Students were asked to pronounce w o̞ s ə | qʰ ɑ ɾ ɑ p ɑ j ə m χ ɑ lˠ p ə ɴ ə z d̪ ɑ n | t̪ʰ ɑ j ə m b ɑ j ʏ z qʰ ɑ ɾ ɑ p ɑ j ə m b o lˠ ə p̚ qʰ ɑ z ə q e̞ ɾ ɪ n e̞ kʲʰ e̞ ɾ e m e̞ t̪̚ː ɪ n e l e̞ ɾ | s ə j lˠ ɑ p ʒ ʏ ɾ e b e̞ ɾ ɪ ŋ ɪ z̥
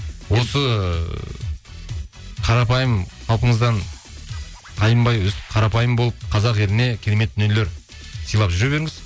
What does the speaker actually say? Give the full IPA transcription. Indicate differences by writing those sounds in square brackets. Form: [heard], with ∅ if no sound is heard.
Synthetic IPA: w o̞ s ə | qʰ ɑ ɾ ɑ p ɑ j ə m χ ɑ lˠ p ə ɴ ə z d̪ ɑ n | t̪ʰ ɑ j ə m b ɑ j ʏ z qʰ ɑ ɾ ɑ p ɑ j ə m b o lˠ ə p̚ qʰ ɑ z [ɑ] q e̞ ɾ ɪ n e̞ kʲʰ e̞ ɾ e m e̞ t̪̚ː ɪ n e l e̞ ɾ | s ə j lˠ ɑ p ʒ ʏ ɾ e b e̞ ɾ ɪ ŋ ɪ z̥

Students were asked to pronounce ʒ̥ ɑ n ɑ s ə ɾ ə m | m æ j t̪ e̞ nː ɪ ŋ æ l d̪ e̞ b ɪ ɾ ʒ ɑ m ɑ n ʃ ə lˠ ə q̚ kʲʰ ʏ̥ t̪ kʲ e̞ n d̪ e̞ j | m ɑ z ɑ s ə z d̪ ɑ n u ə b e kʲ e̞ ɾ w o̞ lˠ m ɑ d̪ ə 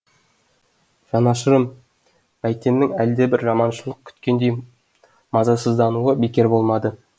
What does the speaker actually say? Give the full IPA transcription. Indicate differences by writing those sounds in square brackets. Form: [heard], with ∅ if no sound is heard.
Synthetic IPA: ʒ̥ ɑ n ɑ [ʃ] ə ɾ ə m | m æ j t̪ e̞ nː ɪ ŋ æ l d̪ e̞ b ɪ ɾ ʒ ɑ m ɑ n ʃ ə lˠ ə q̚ kʲʰ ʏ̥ t̪ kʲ e̞ n d̪ e̞ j | m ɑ z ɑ s ə z d̪ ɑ n u ə b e kʲ e̞ ɾ [b] o̞ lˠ m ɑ d̪ ə

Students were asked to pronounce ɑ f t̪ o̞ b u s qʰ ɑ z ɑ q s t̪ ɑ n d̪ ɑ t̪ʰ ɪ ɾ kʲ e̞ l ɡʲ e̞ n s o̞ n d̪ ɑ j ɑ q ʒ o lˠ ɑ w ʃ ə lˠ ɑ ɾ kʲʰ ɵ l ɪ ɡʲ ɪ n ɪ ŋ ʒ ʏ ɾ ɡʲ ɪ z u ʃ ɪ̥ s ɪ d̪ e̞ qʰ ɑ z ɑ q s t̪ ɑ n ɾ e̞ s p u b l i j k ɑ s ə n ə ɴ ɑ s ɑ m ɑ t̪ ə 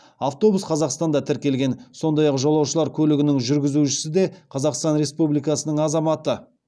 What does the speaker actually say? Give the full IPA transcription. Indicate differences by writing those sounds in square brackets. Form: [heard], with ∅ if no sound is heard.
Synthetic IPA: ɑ f t̪ o̞ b u s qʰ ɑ z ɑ q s t̪ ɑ n d̪ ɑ t̪ʰ ɪ ɾ kʲ e̞ l ɡʲ e̞ n s o̞ n d̪ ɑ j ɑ q ʒ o lˠ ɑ w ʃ ə lˠ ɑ ɾ kʲʰ ɵ l ɪ ɡʲ ɪ n ɪ ŋ ʒ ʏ ɾ ɡʲ ɪ z u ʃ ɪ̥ s ɪ d̪ e̞ qʰ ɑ z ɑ q s t̪ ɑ n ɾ e̞ s p u b l i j k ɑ s ə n ə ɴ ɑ [z] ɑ m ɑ t̪ ə

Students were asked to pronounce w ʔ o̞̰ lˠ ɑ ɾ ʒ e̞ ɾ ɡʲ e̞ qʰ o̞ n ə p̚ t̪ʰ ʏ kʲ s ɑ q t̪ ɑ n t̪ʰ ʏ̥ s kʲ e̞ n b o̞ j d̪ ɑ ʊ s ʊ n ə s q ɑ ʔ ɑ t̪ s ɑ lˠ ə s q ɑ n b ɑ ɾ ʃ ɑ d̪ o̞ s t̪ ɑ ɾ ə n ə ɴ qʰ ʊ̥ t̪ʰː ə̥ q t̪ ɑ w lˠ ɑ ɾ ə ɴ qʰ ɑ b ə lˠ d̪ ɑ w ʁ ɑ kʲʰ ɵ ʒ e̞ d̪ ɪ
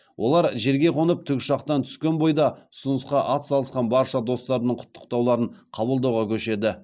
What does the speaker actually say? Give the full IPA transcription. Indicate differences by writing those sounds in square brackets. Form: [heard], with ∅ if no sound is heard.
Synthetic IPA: w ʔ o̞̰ lˠ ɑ ɾ ʒ e̞ ɾ ɡʲ e̞ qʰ o̞ n ə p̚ t̪ʰ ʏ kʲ [ʃ] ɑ q t̪ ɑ n t̪ʰ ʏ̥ s kʲ e̞ n b o̞ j d̪ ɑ ʊ s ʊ n ə s q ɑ ʔ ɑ t̪ s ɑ lˠ ə s q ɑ n b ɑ ɾ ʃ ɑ d̪ o̞ s t̪ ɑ ɾ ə n ə ɴ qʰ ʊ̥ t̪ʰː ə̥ q t̪ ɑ w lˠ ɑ ɾ ə ɴ qʰ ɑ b ə lˠ d̪ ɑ w ʁ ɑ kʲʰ ɵ [ʃ] e̞ d̪ ɪ

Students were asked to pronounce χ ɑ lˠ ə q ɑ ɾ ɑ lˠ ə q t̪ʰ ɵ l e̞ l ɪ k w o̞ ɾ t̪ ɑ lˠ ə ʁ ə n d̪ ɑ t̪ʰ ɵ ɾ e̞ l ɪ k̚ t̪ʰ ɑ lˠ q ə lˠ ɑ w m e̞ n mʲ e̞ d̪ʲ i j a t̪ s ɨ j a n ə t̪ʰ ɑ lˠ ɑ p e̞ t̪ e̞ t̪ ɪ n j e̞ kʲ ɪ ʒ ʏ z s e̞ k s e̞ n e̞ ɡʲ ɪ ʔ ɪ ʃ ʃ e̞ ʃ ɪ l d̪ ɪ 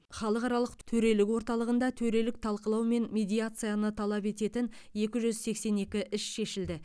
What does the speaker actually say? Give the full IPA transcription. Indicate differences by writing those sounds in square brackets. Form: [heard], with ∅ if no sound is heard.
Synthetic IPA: χ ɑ lˠ ə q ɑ ɾ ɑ lˠ ə q t̪ʰ ɵ [ɾ] e̞ l ɪ k w o̞ ɾ t̪ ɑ lˠ ə ʁ ə n d̪ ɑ t̪ʰ ɵ ɾ e̞ l ɪ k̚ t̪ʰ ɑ lˠ q ə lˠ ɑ w m e̞ n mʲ e̞ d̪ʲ i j a t̪ s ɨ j a n ə t̪ʰ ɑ lˠ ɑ p e̞ t̪ e̞ t̪ ɪ n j e̞ kʲ ɪ ʒ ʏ z s e̞ k s e̞ n e̞ [kʲ] ɪ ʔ ɪ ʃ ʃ e̞ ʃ ɪ l d̪ ɪ

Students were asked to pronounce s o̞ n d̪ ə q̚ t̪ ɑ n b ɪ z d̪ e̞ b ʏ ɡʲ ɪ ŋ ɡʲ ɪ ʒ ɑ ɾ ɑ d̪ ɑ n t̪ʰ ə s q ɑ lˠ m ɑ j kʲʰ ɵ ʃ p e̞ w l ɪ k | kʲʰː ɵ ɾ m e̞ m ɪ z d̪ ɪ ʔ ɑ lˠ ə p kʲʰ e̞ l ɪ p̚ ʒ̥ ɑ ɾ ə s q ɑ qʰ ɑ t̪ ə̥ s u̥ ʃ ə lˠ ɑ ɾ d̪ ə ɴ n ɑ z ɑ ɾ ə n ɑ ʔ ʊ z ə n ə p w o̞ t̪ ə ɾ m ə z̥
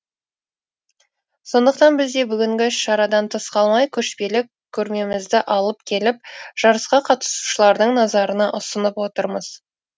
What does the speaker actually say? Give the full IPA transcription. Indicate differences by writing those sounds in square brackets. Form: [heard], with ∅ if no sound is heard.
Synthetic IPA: s o̞ n d̪ ə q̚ t̪ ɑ n b ɪ z d̪ e̞ b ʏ ɡʲ ɪ ŋ ɡʲ ɪ [ʃ] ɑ ɾ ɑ d̪ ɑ n t̪ʰ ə s q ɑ lˠ m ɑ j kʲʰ ɵ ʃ p e̞ [∅] l ɪ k | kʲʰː ɵ ɾ m e̞ m ɪ z d̪ ɪ ʔ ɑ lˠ ə p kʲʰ e̞ l ɪ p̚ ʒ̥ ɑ ɾ ə s q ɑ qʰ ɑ t̪ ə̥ s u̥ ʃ ə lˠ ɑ ɾ d̪ ə ɴ n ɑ z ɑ ɾ ə n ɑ ʔ ʊ [s] ə n ə p w o̞ t̪ ə ɾ m ə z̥

